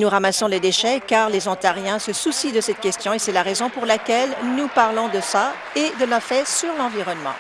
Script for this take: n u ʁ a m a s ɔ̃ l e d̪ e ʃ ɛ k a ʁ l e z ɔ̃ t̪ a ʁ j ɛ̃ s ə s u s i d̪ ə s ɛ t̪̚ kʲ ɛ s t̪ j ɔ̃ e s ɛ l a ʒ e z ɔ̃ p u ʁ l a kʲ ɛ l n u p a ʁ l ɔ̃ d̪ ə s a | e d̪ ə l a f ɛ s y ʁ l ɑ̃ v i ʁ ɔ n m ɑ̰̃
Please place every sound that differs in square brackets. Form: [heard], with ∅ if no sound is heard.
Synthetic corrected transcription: n u ʁ a m a s ɔ̃ l e d̪ e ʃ ɛ k a ʁ l e z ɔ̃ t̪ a ʁ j ɛ̃ s ə s u s i d̪ ə s ɛ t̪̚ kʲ ɛ s t̪ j ɔ̃ e s ɛ l a [ʁ] e z ɔ̃ p u ʁ l a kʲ ɛ l n u p a ʁ l ɔ̃ d̪ ə s a | e d̪ ə l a f ɛ s y ʁ l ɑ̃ v i ʁ ɔ n m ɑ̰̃